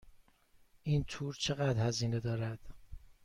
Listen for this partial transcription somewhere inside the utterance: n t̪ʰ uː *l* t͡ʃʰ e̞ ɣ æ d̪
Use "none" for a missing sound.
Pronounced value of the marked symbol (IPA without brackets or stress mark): ɾ